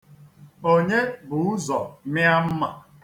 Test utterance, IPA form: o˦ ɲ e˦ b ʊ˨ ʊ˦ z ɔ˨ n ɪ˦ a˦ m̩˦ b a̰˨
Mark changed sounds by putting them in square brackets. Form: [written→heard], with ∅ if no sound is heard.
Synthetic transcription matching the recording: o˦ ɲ e˦ b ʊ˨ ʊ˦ z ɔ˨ [n→m] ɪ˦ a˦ m̩˦ [b→m] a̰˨